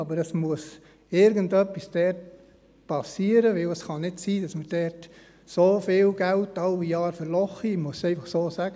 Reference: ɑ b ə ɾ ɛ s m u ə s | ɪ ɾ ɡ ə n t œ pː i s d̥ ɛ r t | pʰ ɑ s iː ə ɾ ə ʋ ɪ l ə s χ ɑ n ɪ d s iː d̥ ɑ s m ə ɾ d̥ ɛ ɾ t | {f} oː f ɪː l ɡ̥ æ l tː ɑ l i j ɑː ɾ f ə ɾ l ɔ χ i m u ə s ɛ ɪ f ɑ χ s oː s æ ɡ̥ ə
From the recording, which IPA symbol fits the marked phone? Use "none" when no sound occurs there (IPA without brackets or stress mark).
s